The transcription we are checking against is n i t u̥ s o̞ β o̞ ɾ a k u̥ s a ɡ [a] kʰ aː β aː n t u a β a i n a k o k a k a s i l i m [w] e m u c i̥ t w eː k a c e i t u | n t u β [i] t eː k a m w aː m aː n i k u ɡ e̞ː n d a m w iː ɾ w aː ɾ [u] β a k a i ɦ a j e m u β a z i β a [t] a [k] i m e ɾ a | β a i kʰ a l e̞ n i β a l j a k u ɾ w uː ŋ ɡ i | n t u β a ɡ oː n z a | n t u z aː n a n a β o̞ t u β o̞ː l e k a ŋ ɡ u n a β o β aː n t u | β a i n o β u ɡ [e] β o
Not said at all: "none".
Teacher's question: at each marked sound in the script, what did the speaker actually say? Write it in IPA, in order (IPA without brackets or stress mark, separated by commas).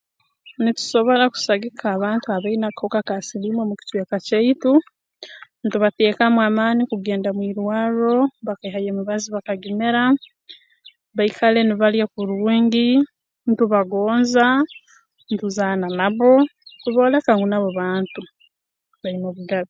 i, w, a, o, k, ɡ, a